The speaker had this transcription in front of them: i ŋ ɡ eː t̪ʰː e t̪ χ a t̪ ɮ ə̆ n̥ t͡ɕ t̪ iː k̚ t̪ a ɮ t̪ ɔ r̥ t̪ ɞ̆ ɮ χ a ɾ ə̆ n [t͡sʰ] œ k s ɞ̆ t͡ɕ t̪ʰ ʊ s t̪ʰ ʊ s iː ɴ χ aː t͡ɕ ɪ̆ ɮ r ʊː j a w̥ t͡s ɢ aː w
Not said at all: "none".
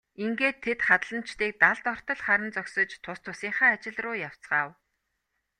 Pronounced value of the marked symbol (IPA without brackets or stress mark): t͡s